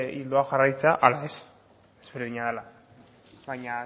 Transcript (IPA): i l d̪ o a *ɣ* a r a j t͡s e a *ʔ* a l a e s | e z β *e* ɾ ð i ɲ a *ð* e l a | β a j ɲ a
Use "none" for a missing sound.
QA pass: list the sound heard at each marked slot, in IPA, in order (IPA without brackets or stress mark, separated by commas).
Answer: x, ʔ, e, ð